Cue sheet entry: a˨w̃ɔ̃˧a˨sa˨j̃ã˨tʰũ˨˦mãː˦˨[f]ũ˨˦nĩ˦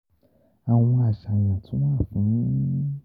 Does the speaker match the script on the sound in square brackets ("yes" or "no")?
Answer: yes